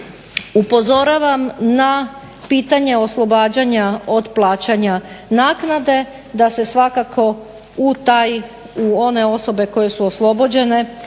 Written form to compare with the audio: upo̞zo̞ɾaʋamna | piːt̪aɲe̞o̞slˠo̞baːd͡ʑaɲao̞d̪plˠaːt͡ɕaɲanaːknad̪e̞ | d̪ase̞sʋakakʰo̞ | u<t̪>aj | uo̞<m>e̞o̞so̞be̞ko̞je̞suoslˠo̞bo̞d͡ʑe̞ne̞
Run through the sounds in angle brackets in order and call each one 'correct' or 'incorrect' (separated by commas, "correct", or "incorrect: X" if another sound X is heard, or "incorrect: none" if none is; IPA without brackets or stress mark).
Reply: correct, incorrect: n